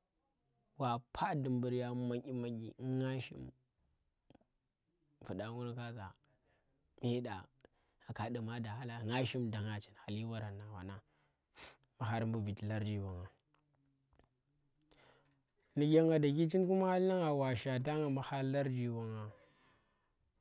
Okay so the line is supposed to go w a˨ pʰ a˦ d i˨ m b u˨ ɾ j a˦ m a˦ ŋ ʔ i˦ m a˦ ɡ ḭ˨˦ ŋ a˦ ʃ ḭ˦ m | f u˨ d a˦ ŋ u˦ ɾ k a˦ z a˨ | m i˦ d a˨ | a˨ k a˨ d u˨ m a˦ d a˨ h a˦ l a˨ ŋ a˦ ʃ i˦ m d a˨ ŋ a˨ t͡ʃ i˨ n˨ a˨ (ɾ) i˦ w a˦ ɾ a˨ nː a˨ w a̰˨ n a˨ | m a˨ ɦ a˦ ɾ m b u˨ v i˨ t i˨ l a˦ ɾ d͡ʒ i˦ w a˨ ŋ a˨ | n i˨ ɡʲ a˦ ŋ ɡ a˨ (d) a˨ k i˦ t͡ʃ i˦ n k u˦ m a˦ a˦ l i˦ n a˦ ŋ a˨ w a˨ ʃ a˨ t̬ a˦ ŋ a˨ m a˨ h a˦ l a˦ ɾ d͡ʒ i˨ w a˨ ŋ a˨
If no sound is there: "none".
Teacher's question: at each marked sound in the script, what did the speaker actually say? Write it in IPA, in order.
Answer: l, d

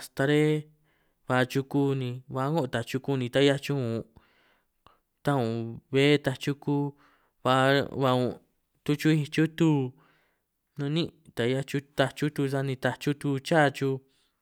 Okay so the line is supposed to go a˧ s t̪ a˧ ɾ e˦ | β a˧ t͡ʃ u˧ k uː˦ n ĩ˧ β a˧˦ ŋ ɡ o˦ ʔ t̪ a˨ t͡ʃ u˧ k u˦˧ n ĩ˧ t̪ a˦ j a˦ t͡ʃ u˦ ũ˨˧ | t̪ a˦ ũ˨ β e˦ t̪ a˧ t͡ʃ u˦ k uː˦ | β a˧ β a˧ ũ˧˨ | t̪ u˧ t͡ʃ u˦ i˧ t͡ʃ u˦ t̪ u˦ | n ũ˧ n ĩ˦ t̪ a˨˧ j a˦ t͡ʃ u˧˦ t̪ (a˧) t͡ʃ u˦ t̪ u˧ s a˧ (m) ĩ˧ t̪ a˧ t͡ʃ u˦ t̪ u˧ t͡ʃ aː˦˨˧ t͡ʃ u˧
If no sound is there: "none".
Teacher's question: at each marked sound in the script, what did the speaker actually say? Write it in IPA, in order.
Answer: a˧, n

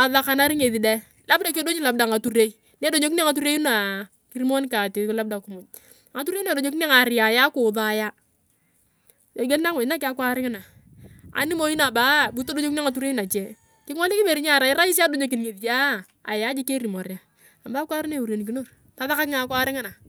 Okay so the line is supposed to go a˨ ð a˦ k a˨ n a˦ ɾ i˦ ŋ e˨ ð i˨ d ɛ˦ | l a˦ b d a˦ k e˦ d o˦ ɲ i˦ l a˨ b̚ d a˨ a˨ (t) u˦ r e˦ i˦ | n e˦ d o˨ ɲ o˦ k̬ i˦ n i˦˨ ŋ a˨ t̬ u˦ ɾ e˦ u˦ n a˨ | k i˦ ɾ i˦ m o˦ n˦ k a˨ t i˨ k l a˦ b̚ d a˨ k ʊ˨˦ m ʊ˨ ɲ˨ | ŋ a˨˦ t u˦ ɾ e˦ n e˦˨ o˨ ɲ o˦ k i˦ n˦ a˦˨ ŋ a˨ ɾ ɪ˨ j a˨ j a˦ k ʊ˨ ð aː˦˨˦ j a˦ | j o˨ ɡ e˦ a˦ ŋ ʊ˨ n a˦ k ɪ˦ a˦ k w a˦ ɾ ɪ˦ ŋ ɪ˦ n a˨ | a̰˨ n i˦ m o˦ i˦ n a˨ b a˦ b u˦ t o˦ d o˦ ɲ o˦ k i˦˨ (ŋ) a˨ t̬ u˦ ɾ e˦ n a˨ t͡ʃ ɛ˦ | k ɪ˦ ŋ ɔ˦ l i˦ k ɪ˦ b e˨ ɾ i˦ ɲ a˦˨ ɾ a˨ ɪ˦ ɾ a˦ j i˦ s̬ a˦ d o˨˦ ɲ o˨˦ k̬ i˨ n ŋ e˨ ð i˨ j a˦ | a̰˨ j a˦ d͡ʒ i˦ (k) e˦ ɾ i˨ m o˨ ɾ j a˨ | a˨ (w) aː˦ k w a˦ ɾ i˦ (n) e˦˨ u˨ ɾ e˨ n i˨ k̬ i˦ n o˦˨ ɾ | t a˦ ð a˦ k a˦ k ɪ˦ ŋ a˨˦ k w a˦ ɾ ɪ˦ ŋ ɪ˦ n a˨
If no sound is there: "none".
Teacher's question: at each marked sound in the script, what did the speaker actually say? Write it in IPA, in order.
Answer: t, ŋ, k, b, n

